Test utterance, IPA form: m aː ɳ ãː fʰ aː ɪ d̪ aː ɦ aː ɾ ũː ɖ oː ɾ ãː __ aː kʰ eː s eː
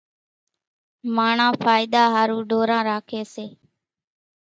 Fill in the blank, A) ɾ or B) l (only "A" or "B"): A